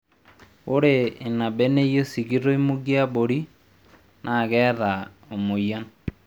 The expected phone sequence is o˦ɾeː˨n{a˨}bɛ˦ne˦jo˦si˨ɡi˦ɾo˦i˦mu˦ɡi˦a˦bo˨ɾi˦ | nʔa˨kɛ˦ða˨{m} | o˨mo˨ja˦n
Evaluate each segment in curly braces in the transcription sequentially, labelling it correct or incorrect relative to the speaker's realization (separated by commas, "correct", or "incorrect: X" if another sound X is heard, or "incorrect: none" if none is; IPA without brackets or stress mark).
correct, incorrect: none